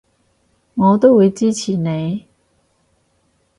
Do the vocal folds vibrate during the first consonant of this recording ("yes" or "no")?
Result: yes